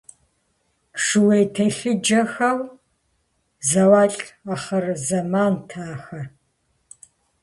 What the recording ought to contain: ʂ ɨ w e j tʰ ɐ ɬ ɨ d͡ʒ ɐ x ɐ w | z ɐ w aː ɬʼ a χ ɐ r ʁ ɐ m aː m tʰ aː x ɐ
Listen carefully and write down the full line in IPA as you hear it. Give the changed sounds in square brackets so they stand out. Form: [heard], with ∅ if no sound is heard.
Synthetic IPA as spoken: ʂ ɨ w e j tʰ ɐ ɬ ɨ d͡ʒ ɐ x ɐ w | z ɐ w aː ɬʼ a χ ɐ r [z] ɐ m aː [n] tʰ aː x ɐ